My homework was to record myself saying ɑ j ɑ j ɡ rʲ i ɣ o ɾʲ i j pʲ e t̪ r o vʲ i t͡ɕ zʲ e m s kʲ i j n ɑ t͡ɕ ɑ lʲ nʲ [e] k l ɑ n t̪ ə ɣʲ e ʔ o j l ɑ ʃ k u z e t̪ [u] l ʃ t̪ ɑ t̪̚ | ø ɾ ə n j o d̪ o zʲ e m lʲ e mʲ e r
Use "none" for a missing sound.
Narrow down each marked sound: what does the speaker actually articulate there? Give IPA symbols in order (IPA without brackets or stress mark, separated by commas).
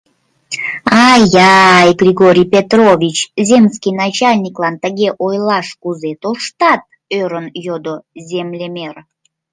i, o